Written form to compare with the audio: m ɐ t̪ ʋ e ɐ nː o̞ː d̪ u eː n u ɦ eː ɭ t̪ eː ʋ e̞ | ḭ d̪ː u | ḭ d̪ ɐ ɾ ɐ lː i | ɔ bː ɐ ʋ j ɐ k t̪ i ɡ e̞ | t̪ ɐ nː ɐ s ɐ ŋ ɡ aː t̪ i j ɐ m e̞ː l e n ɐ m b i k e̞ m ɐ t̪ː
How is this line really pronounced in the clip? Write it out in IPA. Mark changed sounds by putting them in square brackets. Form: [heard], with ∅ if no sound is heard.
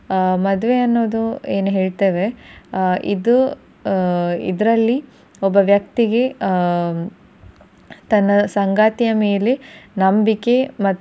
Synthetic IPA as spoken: m ɐ [d̪] ʋ e ɐ nː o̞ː d̪ u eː n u ɦ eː ɭ t̪ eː ʋ e̞ | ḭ [d̪] u | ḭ d̪ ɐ ɾ ɐ lː i | ɔ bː ɐ ʋ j ɐ k t̪ i ɡ e̞ | t̪ ɐ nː ɐ s ɐ ŋ ɡ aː t̪ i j ɐ m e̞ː l e n ɐ m b i k e̞ m ɐ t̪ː